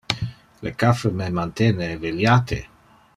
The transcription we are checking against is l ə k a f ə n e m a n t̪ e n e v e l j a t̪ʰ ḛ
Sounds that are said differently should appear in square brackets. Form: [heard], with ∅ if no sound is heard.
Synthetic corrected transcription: l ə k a f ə [m] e m a n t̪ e n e v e l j a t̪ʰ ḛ